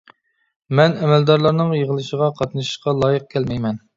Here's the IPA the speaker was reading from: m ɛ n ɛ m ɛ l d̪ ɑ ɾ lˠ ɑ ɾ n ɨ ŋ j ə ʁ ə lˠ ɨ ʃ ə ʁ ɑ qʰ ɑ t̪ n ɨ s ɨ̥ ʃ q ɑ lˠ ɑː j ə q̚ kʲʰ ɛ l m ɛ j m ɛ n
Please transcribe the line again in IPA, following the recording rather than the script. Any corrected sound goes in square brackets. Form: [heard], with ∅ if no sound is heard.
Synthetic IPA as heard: m ɛ n ɛ m ɛ l d̪ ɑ ɾ lˠ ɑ ɾ n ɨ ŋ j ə ʁ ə lˠ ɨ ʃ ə ʁ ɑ qʰ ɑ t̪ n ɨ [ʃ] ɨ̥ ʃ q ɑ lˠ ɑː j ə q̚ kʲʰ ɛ l m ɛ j m ɛ n